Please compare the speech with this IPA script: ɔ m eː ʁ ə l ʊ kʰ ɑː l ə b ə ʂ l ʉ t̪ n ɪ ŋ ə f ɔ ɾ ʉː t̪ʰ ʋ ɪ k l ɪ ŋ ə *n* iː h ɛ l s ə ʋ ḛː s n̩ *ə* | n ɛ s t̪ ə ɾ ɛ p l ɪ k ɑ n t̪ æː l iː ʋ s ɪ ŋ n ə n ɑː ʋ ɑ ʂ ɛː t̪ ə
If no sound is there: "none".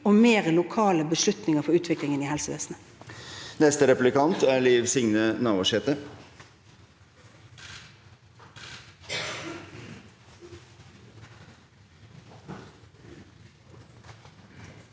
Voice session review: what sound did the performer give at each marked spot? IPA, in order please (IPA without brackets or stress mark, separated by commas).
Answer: n, ə